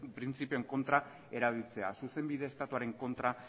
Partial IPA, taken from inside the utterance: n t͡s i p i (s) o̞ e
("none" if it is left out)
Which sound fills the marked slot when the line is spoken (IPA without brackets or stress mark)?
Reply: none